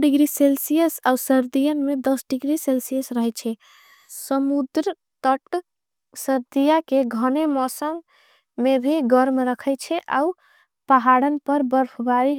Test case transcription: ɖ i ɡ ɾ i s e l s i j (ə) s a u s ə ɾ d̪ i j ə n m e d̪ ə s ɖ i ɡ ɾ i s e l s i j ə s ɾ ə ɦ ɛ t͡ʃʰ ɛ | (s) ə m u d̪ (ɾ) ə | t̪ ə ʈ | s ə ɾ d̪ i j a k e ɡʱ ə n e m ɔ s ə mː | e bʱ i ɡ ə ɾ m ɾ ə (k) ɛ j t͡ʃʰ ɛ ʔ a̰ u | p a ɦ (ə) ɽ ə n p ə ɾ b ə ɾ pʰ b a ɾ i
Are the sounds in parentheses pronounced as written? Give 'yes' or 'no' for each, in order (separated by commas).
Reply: yes, yes, yes, no, no